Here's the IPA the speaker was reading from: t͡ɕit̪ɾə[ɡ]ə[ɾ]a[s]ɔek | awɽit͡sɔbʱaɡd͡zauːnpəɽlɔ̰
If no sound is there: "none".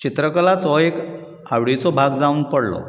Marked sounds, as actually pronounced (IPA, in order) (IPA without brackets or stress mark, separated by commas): k, l, t͡s